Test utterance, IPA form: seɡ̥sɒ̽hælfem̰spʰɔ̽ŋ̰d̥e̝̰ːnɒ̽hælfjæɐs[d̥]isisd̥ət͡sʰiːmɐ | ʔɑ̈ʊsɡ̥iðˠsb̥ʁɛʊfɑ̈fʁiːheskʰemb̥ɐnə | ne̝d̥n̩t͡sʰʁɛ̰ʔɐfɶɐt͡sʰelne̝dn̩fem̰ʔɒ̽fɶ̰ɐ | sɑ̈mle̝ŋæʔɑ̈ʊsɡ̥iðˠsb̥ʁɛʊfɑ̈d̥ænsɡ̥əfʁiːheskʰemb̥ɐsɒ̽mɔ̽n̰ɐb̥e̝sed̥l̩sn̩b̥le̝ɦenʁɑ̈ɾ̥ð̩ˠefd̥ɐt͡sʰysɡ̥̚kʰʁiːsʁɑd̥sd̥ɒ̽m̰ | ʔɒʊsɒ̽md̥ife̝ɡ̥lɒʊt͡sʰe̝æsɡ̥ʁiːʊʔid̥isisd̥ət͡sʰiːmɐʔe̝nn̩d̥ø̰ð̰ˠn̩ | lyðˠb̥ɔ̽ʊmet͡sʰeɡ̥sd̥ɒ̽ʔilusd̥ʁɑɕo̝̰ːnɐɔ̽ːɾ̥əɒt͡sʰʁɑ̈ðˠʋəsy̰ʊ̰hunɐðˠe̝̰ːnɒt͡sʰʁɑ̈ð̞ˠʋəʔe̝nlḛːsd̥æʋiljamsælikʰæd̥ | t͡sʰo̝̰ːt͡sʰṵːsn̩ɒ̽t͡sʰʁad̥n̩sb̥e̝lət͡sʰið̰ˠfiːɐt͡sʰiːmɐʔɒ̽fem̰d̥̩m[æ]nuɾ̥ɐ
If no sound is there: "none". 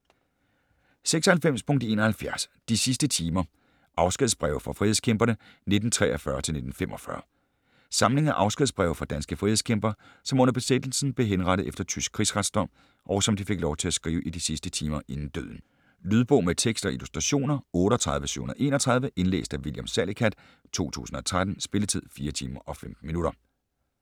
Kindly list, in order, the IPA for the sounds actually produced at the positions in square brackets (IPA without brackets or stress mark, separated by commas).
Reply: d̥, i